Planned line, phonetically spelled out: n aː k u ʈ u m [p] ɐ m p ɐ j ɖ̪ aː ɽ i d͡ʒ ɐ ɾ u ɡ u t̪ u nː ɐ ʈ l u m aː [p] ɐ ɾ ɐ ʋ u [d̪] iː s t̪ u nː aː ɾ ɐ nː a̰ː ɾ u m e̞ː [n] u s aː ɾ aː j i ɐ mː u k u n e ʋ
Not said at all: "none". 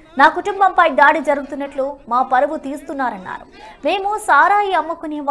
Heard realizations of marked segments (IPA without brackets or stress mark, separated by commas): b, p, t̪, m